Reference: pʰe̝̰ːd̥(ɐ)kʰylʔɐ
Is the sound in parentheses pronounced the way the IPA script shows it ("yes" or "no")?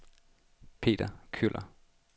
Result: yes